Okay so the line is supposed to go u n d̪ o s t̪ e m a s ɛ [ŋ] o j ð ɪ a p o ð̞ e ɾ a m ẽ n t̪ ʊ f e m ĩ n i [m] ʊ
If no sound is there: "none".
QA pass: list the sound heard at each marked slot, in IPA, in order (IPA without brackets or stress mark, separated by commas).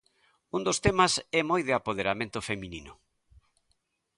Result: m, n